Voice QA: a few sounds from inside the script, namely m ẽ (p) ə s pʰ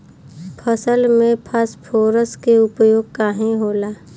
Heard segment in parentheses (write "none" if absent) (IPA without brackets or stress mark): pʰ